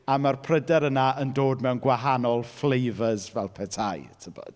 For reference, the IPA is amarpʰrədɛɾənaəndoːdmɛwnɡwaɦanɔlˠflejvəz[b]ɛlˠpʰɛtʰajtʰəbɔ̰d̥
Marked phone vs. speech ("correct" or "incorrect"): incorrect